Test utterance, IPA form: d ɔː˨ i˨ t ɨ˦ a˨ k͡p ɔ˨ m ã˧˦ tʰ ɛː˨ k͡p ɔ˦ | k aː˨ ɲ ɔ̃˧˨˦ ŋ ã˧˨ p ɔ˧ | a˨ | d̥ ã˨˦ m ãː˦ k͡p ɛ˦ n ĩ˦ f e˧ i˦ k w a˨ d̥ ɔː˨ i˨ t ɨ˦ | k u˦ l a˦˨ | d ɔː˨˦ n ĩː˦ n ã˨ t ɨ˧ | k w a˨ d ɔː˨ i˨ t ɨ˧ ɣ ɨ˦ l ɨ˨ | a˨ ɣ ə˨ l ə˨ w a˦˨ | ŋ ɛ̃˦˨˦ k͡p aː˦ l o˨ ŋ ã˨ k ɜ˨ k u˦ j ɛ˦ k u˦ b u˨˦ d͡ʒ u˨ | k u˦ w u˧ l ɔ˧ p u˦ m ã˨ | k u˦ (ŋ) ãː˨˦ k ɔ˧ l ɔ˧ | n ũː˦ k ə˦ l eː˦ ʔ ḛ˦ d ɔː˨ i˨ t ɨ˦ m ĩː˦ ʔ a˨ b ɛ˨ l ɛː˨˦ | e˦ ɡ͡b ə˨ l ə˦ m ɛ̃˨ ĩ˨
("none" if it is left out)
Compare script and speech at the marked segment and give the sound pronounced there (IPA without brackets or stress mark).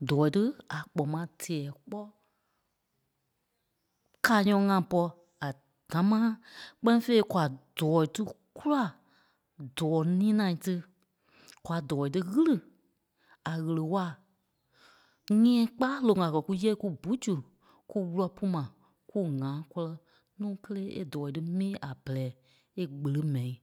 ŋ